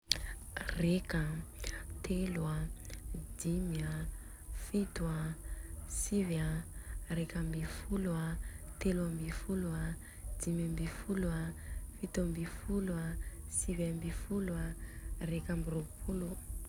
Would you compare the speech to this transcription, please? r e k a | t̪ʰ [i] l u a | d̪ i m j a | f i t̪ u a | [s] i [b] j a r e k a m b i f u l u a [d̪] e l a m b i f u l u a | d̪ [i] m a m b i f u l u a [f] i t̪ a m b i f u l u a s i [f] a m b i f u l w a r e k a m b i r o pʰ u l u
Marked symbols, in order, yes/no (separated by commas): no, yes, no, no, yes, yes, no